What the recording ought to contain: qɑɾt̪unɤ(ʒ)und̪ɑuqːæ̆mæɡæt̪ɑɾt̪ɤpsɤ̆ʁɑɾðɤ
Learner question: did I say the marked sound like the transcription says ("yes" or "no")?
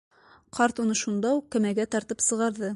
no